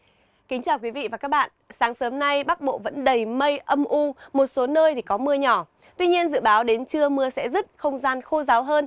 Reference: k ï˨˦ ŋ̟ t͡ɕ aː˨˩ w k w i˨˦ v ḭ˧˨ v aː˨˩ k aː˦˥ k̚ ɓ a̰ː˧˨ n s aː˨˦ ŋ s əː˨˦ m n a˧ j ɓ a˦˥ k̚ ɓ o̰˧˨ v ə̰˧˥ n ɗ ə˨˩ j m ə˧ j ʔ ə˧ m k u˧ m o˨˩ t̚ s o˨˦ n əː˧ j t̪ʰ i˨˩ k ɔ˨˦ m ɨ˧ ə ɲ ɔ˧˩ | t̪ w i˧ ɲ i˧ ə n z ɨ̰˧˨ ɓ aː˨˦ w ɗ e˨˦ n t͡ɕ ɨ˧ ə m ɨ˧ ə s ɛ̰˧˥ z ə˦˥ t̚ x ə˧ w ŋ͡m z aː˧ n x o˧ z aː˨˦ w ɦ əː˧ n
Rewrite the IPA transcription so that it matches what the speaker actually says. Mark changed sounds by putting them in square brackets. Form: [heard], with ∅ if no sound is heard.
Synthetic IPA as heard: k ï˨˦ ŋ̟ t͡ɕ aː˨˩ w k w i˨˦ v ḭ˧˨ v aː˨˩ k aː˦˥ k̚ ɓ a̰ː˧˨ n s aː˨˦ ŋ s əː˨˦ m n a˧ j ɓ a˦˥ k̚ ɓ o̰˧˨ v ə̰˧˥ n ɗ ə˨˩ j m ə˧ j ʔ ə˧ m [ʔ] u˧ m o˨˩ t̚ s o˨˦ n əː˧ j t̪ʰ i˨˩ k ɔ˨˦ m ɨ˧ ə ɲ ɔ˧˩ | t̪ w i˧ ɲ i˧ ə n z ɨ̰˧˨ ɓ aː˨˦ w ɗ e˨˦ n t͡ɕ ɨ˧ ə m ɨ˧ ə s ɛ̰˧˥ z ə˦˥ t̚ x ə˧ w ŋ͡m z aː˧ n x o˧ z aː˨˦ w ɦ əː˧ n